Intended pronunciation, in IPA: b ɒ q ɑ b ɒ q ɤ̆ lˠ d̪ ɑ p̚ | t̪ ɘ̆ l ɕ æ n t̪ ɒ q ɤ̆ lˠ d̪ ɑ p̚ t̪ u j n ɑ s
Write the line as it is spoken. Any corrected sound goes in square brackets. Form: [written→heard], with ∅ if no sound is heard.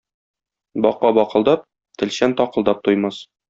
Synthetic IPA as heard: b ɒ q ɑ b ɒ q ɤ̆ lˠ d̪ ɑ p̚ | t̪ ɘ̆ l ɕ æ n t̪ ɒ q ɤ̆ lˠ d̪ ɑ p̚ t̪ u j [n→m] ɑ s